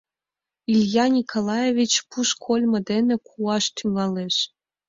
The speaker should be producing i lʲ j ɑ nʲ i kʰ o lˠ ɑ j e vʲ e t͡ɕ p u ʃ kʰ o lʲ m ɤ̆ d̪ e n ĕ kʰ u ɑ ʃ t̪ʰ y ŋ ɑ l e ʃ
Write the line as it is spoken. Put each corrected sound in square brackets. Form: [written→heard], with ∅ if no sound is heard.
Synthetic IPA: i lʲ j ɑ nʲ i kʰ o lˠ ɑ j e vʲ [e→i] t͡ɕ p u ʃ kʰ o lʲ m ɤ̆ d̪ e n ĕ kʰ u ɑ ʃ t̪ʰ y ŋ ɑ l e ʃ